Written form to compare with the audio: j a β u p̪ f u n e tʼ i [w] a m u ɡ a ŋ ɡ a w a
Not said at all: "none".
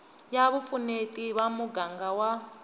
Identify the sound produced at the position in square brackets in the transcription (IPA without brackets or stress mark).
β